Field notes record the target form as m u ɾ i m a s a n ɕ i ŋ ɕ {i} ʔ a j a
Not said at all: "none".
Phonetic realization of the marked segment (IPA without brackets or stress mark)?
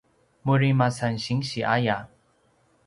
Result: i